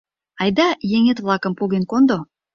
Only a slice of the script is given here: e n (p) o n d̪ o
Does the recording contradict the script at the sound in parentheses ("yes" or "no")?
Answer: yes